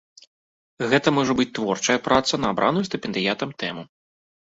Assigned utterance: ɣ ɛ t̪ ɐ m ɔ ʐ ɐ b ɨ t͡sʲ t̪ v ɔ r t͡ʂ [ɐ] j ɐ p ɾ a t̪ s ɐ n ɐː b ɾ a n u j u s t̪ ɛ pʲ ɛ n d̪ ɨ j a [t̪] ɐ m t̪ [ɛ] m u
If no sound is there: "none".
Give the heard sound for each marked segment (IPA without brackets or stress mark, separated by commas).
ɐ, t̪, ɛ